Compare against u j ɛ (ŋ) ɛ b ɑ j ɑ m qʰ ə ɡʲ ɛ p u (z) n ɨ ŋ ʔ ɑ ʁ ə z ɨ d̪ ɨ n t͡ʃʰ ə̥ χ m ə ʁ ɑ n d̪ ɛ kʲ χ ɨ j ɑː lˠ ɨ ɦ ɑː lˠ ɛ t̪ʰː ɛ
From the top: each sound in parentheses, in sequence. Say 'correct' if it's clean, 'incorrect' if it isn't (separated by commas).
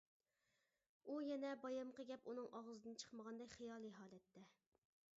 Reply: incorrect, incorrect